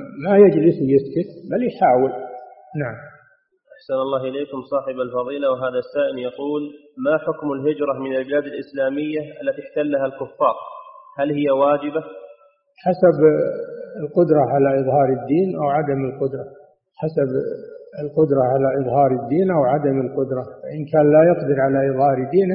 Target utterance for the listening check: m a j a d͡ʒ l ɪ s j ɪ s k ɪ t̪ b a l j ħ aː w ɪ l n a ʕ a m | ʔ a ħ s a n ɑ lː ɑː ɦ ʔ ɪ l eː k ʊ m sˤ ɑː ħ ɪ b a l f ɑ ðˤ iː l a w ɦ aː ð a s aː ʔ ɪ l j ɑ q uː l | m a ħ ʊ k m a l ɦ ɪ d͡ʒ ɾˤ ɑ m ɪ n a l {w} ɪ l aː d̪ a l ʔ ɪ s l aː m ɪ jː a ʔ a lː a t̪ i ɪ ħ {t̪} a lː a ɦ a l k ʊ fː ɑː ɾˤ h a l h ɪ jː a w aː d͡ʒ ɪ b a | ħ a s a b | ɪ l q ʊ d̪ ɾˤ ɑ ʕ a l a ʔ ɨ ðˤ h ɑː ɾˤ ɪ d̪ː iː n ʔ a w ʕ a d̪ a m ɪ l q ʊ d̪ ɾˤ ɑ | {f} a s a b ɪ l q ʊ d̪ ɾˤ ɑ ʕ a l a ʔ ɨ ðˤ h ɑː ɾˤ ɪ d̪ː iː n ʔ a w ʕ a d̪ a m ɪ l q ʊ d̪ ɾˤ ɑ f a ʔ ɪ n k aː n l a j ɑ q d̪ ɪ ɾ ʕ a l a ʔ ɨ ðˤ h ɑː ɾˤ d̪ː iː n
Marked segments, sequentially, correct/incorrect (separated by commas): incorrect, correct, incorrect